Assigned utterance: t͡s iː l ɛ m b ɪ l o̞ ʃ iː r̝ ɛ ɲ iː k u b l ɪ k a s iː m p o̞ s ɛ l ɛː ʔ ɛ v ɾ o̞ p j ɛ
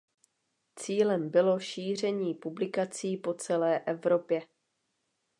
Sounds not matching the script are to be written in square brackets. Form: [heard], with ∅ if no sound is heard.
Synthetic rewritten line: t͡s iː l ɛ m b ɪ l o̞ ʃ iː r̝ ɛ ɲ iː [p] u b l ɪ k a [t͡s] iː [∅] p o̞ [t͡s] ɛ l ɛː ʔ ɛ v ɾ o̞ p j ɛ